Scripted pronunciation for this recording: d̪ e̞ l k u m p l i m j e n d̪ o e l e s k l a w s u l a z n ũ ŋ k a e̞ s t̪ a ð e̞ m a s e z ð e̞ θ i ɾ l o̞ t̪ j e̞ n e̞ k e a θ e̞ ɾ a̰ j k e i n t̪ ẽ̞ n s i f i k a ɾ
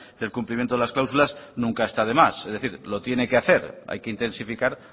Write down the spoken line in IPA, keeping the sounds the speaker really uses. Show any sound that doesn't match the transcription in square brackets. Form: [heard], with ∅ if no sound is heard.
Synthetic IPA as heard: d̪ e̞ l k u m p l i m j e n [t̪] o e l [a] s k l a w s u l a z n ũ ŋ k a e̞ s t̪ a ð e̞ m a s e z ð e̞ θ i ɾ l o̞ t̪ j e̞ n e̞ k e a θ e̞ ɾ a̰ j k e i n t̪ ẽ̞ n s i f i k a ɾ